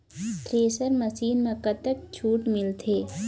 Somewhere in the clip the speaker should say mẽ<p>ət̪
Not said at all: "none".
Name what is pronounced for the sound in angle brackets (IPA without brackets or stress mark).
k